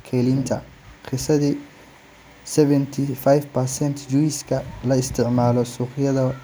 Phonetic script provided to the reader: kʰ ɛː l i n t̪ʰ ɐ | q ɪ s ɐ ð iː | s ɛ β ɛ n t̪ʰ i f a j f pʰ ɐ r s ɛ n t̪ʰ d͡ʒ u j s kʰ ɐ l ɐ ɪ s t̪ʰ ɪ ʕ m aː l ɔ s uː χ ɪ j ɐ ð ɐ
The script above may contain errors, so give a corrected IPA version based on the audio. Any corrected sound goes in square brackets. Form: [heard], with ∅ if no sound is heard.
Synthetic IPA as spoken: kʰ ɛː l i n t̪ʰ ɐ | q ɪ s ɐ ð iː | s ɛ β ɛ n t̪ʰ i f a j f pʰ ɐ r s ɛ n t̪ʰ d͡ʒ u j s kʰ ɐ l ɐ ɪ s t̪ʰ ɪ ʕ m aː l ɔ s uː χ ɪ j ɐ ð ɐ